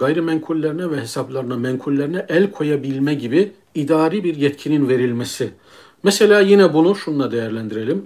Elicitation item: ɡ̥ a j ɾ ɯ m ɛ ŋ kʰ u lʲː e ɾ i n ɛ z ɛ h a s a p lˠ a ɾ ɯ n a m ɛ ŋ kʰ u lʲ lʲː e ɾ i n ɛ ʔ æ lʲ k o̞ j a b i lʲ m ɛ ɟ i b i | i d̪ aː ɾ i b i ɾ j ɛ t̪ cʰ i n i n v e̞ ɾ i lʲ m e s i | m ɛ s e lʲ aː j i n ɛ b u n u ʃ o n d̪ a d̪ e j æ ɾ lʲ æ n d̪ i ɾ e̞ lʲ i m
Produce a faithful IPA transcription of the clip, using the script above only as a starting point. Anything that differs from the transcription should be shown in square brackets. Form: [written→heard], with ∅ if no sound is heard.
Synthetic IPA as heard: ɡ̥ a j ɾ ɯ m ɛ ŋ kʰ u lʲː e ɾ i n ɛ [z→v] ɛ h [a→e] s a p lˠ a ɾ ɯ n a m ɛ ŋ kʰ u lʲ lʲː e ɾ i n ɛ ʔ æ lʲ [k→kʰ] o̞ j a b i lʲ m ɛ ɟ i b i | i d̪ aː ɾ i b i ɾ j ɛ t̪ cʰ i n i n v e̞ ɾ i lʲ m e s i | m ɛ s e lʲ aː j i n ɛ b u n u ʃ [o→u] n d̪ a d̪ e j æ ɾ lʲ æ n d̪ i ɾ e̞ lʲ i m